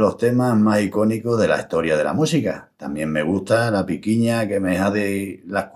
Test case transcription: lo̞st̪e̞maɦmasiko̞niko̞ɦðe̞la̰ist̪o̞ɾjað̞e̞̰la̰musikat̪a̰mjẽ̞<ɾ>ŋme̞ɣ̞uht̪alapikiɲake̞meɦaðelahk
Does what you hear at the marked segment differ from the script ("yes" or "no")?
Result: yes